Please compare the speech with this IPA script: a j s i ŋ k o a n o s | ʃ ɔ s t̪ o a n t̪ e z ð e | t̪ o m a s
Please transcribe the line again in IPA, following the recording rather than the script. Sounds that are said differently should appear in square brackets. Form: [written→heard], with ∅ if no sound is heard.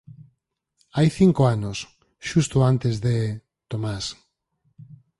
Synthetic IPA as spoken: a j [s→θ] i ŋ k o a n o s | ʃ [ɔ→u] s t̪ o a n t̪ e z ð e | t̪ o m a s